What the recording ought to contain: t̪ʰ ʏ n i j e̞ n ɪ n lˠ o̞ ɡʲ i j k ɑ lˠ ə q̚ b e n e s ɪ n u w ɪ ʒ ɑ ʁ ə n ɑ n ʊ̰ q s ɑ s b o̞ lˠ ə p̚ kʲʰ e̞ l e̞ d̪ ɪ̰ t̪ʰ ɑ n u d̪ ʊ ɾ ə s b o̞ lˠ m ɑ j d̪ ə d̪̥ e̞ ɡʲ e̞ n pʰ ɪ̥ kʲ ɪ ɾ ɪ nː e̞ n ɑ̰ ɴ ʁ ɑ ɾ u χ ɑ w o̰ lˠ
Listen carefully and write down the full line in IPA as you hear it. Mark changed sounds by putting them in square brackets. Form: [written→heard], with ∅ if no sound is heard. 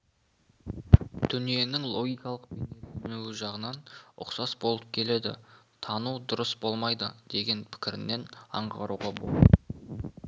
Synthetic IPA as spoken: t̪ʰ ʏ n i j e̞ n ɪ [n→ŋ] lˠ o̞ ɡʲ i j k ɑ lˠ ə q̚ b e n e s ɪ n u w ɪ ʒ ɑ ʁ ə n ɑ n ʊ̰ q s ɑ s b o̞ lˠ ə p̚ kʲʰ e̞ l e̞ d̪ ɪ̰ t̪ʰ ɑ n u d̪ ʊ ɾ ə s b o̞ lˠ m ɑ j d̪ ə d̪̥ e̞ ɡʲ e̞ n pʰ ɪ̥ kʲ ɪ ɾ ɪ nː e̞ n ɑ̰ ɴ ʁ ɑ ɾ u [χ→ʁ] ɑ [w→b] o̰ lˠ